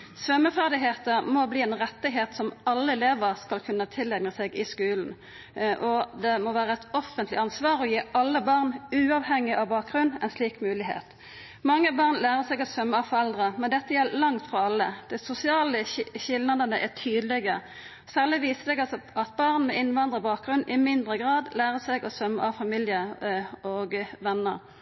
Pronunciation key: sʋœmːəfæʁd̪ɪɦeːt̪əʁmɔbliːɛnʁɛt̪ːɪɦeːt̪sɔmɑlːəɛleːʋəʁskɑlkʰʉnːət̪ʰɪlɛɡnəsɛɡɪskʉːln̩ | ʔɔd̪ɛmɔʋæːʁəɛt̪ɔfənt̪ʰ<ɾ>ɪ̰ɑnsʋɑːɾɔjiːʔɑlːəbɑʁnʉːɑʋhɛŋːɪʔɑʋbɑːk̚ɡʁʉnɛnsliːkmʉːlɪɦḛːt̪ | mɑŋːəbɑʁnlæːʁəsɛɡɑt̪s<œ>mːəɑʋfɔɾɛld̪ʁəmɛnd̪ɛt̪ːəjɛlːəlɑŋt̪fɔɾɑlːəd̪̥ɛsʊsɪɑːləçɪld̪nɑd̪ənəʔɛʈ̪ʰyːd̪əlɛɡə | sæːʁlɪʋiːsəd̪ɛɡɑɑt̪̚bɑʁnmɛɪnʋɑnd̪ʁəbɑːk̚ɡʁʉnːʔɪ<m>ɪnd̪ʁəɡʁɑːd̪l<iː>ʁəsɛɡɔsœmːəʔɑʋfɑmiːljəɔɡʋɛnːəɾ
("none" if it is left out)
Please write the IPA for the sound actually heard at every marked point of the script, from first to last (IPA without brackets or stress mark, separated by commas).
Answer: l, œ, m, æː